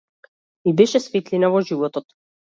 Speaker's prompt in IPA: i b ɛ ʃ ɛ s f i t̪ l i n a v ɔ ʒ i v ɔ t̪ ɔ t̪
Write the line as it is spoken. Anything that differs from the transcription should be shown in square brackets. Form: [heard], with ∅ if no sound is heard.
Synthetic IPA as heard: i b ɛ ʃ ɛ s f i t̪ l i n a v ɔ ʒ i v ɔ t̪ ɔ t̪